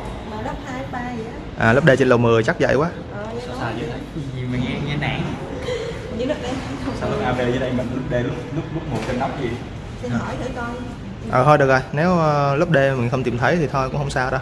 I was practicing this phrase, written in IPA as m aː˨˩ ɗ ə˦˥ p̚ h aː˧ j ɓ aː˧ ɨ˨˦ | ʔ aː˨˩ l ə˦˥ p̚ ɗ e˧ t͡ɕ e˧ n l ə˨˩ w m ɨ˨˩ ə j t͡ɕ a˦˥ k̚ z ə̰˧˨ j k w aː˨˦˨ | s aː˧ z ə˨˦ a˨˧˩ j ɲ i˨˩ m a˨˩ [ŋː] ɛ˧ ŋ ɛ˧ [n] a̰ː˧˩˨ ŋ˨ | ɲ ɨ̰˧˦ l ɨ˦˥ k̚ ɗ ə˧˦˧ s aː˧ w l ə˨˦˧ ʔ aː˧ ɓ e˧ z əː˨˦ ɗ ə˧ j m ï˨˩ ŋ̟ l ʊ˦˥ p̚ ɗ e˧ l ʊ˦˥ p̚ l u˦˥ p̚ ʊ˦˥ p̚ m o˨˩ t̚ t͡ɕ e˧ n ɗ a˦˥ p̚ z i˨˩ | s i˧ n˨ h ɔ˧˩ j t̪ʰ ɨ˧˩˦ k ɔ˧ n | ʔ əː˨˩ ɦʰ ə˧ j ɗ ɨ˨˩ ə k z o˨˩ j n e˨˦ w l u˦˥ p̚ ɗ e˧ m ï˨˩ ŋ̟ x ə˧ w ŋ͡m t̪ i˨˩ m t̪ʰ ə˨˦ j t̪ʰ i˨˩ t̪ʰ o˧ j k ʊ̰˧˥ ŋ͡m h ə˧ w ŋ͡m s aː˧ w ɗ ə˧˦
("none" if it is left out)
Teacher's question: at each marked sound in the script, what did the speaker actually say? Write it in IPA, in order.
ŋ, n

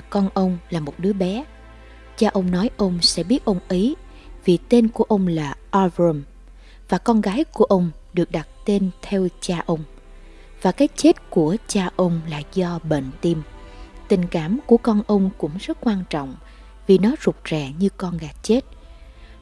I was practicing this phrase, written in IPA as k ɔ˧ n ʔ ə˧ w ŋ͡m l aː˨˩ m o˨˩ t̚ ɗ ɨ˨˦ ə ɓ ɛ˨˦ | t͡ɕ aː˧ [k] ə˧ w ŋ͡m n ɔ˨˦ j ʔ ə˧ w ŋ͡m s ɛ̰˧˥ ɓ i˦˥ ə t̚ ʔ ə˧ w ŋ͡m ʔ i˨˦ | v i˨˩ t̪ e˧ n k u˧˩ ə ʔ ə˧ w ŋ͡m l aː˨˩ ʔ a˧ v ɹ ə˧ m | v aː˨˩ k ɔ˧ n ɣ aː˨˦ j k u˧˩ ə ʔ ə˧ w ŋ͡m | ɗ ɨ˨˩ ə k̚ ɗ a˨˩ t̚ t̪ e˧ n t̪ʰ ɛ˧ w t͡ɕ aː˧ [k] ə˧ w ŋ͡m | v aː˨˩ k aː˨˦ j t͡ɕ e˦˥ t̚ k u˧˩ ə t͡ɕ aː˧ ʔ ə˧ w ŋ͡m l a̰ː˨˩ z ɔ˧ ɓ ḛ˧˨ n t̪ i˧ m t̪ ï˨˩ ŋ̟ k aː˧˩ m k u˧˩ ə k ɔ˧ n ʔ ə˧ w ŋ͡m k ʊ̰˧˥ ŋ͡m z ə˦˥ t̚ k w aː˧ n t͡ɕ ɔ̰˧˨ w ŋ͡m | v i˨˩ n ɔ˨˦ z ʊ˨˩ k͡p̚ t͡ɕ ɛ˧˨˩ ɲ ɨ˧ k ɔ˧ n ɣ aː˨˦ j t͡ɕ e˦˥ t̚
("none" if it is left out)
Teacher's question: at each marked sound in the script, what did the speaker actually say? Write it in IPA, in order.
ʔ, ʔ

